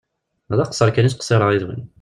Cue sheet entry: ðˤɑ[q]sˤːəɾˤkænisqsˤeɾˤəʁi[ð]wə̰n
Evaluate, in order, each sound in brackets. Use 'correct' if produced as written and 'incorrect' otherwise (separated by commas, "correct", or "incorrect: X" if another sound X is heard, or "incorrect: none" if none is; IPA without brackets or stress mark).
correct, correct